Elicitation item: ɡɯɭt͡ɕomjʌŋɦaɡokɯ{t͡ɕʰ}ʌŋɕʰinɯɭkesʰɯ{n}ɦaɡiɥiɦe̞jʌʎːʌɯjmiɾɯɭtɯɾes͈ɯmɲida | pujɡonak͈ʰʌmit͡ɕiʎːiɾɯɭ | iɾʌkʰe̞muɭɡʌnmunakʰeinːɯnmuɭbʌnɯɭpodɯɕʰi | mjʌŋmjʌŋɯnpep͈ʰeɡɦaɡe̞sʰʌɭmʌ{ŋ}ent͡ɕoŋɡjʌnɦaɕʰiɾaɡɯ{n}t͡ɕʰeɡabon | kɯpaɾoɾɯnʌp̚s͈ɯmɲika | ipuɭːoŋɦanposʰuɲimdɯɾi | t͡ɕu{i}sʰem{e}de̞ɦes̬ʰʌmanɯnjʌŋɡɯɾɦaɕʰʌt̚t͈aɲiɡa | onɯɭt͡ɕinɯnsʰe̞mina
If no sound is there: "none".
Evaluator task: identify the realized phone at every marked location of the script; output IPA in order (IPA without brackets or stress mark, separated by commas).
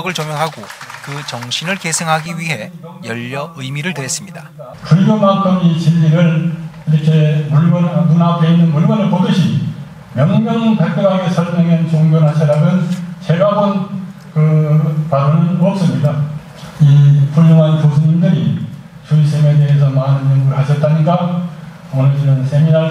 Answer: t͡ɕ, ŋ, ŋ, n, i, e